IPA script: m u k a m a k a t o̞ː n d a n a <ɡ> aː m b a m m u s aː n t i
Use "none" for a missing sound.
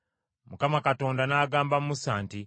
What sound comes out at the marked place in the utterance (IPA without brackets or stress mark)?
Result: ɡ